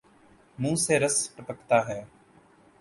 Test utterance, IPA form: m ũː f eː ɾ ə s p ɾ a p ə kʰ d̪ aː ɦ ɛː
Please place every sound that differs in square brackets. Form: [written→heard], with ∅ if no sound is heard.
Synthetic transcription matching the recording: m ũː [f→s] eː ɾ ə s p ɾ [a→ə] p ə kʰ [d̪→t̪] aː ɦ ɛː